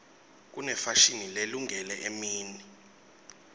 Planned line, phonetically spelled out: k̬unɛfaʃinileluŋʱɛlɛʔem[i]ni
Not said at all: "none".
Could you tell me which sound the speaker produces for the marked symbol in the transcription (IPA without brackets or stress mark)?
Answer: iː